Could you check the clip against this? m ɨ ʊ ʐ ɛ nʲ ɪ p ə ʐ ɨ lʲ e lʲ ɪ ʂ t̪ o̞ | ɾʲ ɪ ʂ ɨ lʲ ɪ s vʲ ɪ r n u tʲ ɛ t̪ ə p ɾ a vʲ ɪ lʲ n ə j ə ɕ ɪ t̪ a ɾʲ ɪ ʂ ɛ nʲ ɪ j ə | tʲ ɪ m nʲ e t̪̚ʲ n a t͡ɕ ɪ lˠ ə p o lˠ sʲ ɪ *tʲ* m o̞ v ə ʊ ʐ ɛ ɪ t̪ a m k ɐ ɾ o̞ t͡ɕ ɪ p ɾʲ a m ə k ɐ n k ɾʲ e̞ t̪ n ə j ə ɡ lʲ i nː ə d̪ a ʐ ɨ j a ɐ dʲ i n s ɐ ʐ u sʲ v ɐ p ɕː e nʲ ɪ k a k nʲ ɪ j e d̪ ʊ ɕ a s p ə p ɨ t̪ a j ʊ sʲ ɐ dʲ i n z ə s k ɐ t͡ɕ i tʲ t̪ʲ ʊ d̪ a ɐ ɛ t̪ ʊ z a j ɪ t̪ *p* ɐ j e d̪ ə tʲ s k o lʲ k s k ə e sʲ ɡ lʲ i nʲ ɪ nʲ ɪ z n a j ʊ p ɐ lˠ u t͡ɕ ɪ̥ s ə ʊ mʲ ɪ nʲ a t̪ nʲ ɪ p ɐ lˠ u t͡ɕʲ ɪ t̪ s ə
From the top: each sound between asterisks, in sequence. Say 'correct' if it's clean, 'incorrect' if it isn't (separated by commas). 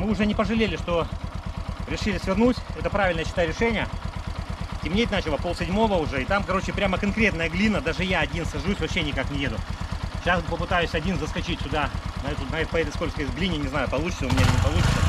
incorrect, correct